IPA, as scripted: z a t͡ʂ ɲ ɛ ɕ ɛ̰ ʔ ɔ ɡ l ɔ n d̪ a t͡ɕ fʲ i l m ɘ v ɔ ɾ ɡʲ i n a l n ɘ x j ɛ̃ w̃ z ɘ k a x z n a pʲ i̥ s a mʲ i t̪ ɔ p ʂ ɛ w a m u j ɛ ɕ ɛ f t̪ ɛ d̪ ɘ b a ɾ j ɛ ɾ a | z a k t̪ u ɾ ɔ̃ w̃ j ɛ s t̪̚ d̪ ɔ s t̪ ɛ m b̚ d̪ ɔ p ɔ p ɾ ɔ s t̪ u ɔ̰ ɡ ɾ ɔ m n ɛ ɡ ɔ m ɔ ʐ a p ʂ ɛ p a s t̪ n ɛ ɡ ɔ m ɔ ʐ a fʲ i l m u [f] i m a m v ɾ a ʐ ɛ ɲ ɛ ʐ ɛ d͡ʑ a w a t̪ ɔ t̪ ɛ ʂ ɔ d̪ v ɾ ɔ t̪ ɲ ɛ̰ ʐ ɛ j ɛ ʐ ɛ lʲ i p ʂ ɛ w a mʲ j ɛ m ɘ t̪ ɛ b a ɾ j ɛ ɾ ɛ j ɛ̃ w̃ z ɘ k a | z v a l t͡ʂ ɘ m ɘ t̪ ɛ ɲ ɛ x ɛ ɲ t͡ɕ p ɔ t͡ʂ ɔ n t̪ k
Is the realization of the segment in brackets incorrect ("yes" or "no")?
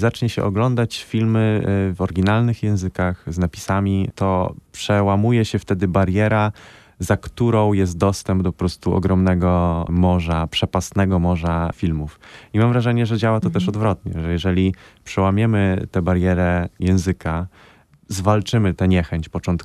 no